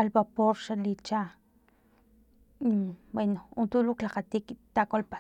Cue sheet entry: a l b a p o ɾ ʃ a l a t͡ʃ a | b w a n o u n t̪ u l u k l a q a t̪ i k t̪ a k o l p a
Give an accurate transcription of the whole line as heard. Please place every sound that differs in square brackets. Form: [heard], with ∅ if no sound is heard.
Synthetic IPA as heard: a l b a p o ɾ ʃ a l [i] t͡ʃ a | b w [e] n o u n t̪ u l u k l a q a t̪ i k t̪ a k o l p a